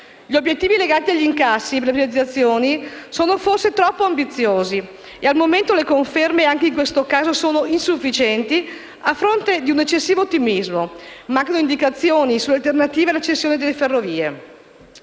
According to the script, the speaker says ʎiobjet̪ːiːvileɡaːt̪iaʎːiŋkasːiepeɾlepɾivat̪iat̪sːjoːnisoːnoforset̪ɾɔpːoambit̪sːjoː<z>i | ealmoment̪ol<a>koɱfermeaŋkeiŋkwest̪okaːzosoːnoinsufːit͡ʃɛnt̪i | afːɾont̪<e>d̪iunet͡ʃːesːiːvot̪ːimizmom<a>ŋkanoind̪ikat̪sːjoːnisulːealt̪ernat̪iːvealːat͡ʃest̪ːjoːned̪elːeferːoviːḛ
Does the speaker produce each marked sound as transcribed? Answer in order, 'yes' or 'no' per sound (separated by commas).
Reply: yes, no, yes, yes